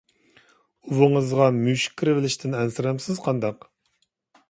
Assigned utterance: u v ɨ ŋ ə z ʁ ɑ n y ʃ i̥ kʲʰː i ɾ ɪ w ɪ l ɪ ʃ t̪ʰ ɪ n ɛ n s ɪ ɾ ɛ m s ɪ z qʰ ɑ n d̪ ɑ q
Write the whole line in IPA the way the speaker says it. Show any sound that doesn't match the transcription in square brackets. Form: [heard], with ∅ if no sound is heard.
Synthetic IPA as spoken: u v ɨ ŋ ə z ʁ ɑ [m] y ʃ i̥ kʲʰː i ɾ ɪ [v] ɪ l ɪ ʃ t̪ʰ ɪ n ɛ n s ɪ ɾ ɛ m s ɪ z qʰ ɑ n d̪ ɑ q